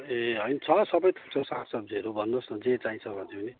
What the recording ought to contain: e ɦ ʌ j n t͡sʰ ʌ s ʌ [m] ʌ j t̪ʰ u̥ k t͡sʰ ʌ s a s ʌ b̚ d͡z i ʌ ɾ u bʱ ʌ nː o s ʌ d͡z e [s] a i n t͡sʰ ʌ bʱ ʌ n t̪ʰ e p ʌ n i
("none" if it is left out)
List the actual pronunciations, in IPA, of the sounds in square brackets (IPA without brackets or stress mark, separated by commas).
b, t͡s